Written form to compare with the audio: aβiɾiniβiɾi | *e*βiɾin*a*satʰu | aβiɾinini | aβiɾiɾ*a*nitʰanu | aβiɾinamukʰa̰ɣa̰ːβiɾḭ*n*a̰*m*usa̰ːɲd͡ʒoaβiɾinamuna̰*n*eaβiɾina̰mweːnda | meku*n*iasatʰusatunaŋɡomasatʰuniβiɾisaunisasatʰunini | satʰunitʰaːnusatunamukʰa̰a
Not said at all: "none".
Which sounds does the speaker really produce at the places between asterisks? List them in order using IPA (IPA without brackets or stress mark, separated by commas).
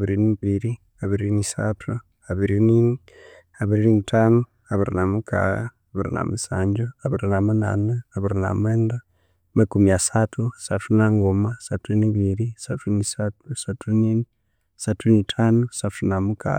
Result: a, i, i, n, m, n, m